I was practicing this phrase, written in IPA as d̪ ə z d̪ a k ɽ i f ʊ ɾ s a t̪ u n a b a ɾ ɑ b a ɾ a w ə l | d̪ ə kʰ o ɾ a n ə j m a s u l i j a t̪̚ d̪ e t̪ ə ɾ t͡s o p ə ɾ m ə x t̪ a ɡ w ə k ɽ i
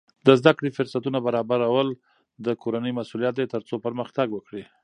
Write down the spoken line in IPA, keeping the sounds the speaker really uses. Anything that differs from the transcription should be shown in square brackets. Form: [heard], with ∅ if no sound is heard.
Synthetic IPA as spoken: d̪ ə z d̪ a k ɽ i f ʊ ɾ s a t̪ u n a b a ɾ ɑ b a ɾ a w ə l | d̪ ə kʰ o ɾ a n ə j m a s u l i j a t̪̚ d̪ e t̪ ə ɾ t͡s o p ə ɾ m ə x t̪ a ɡ w ə k ɽ i

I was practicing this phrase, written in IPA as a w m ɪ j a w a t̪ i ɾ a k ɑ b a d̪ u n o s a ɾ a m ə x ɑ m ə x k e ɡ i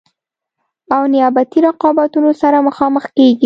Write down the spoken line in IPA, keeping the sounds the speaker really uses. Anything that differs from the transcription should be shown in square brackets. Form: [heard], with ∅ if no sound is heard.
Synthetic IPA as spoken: a w [n] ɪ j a [b] a t̪ i ɾ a [q] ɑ b a [t̪] u n o s a ɾ a m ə x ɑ m ə x k e ɡ i

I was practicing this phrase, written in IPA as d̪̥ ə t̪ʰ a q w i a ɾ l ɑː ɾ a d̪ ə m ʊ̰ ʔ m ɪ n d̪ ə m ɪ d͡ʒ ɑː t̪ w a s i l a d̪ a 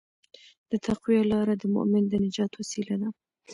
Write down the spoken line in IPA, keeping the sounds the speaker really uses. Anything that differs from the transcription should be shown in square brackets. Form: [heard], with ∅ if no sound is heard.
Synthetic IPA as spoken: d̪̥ ə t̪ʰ a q w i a [∅] l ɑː ɾ a d̪ ə m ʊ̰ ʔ m ɪ n d̪ ə [n] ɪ d͡ʒ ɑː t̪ w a s i l a d̪ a

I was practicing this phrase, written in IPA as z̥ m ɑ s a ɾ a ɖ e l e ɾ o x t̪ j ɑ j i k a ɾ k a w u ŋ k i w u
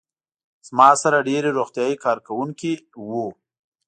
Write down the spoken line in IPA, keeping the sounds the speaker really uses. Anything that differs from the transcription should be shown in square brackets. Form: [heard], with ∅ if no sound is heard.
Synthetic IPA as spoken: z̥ m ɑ s a ɾ a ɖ e [ɾ] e ɾ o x t̪ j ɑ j i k [ɑ] ɾ k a w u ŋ k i w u

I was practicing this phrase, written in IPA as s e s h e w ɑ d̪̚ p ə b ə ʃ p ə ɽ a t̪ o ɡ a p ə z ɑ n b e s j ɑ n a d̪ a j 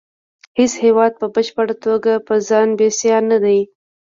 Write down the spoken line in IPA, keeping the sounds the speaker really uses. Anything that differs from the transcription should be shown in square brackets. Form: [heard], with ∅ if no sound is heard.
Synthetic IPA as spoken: [h] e s h e w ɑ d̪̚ p ə b ə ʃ p ə ɽ a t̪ o ɡ a p ə z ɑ n b e s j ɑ n a d̪ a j

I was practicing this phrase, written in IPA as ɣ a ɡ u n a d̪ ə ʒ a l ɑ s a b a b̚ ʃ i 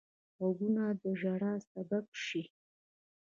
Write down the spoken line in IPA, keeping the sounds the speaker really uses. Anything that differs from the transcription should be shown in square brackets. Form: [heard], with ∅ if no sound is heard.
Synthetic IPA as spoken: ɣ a ɡ u n a d̪ ə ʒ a [ɽ] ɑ s a b a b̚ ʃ i

